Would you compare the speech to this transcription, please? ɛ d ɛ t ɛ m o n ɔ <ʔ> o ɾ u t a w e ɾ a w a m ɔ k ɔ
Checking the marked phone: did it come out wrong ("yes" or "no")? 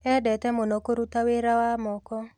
yes